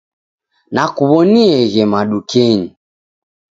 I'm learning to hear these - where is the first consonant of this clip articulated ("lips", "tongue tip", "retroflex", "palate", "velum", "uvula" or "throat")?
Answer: tongue tip